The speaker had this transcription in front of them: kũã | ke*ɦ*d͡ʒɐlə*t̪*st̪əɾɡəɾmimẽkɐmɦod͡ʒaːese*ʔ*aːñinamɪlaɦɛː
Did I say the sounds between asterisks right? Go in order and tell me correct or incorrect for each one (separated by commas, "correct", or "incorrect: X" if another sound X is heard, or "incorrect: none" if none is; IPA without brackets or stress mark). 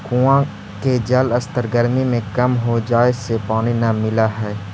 incorrect: none, incorrect: none, incorrect: p